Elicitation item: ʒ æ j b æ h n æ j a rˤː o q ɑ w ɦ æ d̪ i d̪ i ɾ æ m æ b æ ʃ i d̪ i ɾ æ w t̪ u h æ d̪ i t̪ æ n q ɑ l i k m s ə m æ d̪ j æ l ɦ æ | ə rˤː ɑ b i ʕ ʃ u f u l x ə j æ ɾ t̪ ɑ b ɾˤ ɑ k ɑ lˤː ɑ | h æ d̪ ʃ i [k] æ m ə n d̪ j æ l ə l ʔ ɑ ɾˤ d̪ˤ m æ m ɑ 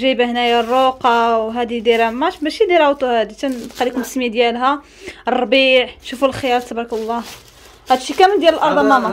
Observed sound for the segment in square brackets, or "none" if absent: k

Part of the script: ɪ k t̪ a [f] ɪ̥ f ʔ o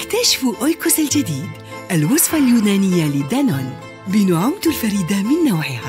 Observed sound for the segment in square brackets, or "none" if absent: ʃ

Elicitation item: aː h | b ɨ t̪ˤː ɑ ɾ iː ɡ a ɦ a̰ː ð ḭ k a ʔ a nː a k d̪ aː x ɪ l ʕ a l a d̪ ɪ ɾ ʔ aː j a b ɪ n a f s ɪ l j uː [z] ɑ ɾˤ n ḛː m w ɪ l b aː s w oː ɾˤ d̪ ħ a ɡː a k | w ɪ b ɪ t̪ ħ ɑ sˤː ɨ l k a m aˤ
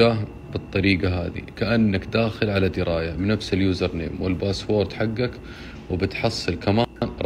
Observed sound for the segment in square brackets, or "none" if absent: z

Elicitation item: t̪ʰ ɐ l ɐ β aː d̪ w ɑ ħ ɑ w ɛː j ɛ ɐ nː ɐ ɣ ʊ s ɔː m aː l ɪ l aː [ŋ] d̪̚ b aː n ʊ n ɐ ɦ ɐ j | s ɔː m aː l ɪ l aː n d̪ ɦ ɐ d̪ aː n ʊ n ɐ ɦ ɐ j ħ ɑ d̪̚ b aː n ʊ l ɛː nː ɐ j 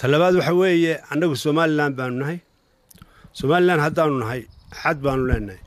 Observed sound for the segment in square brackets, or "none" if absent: n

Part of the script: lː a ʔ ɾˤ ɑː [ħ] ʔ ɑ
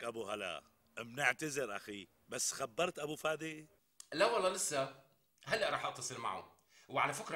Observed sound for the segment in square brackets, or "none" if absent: ħ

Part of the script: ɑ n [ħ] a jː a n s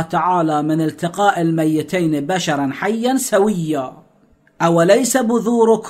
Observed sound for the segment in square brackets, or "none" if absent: ħ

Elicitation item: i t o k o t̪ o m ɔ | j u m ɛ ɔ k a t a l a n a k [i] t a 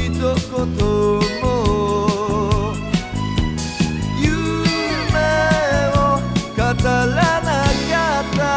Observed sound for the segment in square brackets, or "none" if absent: a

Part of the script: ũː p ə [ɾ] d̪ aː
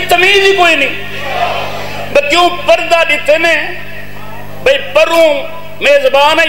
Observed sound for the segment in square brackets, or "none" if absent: ɾ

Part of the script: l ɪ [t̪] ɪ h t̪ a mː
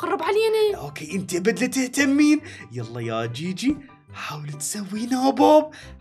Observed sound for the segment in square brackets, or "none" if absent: t̪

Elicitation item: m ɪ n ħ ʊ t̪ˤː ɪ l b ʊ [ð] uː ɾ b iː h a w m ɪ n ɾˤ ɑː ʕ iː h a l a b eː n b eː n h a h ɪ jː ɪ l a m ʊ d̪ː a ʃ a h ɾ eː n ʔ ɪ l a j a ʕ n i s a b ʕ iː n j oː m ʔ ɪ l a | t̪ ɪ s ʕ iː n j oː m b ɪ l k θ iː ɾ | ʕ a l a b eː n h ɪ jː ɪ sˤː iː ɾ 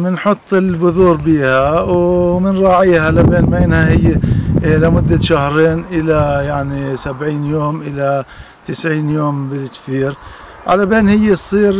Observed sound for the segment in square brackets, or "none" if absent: ð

